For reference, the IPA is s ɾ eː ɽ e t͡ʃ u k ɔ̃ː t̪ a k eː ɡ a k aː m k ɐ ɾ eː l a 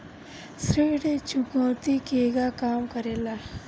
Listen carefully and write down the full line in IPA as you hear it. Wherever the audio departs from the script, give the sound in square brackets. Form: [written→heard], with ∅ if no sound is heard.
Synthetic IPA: s ɾ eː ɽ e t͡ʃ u k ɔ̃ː t̪ [a→i] k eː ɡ a k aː m k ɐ ɾ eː l a